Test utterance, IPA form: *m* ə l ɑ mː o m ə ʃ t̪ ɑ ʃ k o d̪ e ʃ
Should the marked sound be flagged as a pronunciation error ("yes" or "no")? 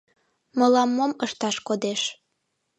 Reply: no